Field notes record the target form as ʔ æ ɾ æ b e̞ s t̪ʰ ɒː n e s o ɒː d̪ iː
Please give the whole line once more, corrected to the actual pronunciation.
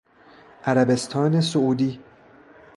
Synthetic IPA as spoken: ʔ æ ɾ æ b e̞ s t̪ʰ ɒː n e s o uː d̪ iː